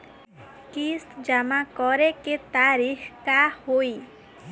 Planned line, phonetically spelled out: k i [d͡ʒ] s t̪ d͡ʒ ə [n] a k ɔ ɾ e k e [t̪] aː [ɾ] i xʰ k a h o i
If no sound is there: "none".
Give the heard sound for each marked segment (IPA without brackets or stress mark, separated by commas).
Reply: none, m, t̪, ɾ